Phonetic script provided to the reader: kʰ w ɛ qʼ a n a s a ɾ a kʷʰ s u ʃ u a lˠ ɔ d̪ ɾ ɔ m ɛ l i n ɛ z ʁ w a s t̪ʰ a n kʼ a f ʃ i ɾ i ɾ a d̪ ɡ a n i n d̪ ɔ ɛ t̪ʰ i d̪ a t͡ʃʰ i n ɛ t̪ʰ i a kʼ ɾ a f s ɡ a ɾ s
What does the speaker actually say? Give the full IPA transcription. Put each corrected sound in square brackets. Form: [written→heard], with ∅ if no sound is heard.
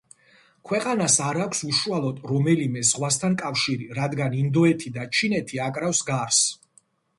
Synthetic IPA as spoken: kʰ w ɛ qʼ a n a s a ɾ a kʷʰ s u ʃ u a lˠ ɔ d̪ ɾ ɔ m ɛ l i [n→m] ɛ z ʁ w a s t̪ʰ a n kʼ a f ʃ i ɾ i ɾ a d̪ ɡ a n i n d̪ ɔ ɛ t̪ʰ i d̪ a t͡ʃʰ i n ɛ t̪ʰ i a kʼ ɾ a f s ɡ a ɾ s